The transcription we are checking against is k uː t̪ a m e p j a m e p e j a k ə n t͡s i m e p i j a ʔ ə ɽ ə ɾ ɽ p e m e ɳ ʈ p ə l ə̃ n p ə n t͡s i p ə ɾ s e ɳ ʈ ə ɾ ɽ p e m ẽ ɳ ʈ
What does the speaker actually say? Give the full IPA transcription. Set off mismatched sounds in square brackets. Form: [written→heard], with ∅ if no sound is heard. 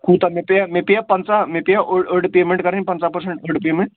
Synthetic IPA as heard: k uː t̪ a m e p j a m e p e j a [k→p] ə n t͡s [i→a] m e p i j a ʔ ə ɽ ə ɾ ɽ p e m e ɳ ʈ [p→k] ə [l→ɾ] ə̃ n p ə n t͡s [i→a] p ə ɾ s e ɳ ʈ ə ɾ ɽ p e m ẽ ɳ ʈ